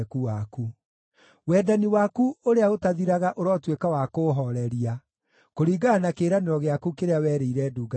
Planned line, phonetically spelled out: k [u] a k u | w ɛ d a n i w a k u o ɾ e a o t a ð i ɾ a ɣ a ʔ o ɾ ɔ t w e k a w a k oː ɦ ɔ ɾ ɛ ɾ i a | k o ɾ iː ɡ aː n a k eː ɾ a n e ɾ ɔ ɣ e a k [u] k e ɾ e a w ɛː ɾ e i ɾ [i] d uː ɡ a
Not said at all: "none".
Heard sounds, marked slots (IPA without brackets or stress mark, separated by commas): u, u, ɛ